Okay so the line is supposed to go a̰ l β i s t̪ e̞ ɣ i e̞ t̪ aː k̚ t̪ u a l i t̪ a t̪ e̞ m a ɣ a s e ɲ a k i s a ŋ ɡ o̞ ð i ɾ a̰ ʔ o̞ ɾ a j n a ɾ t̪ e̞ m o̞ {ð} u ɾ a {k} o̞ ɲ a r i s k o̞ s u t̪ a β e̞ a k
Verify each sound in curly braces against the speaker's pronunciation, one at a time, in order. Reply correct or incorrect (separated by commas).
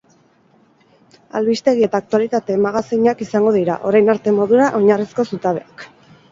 correct, incorrect